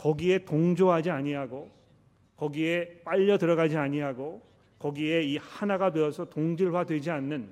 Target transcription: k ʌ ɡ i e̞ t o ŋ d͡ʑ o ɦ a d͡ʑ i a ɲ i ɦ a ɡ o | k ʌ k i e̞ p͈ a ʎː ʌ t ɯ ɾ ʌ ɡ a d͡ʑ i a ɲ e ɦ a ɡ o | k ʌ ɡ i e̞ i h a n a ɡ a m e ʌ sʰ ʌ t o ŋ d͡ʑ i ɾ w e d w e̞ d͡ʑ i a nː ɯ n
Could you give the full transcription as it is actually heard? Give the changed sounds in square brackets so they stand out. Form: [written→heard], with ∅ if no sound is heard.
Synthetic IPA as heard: k ʌ ɡ i e̞ t o ŋ d͡ʑ o ɦ a d͡ʑ i a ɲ i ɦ a ɡ o | k ʌ [k→ɡ] i e̞ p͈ a ʎː ʌ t ɯ ɾ ʌ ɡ a d͡ʑ i a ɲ [e→i] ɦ a ɡ o | k ʌ ɡ i e̞ i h a n a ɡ a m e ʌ sʰ ʌ t o ŋ d͡ʑ i [ɾ→ɭ] w [e→a] d w e̞ d͡ʑ i a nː ɯ n